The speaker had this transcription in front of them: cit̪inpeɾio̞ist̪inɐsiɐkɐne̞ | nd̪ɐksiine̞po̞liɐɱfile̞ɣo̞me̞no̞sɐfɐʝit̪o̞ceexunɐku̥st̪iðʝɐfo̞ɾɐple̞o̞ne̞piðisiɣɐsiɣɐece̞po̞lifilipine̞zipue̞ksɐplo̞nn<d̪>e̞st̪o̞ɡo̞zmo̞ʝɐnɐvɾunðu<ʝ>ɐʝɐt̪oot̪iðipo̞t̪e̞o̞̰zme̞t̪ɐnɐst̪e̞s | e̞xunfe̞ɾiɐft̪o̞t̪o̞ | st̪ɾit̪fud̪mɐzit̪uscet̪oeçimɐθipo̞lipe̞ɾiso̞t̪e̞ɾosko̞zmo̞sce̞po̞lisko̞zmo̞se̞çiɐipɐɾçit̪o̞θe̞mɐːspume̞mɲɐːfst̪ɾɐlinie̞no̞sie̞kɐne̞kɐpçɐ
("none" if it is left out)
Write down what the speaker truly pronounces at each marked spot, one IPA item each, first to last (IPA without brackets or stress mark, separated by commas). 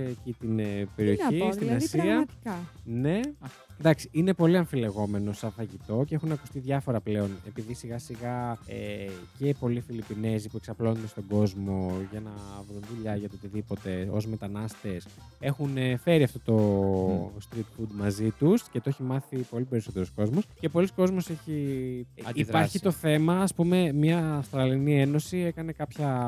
d̪, ʎ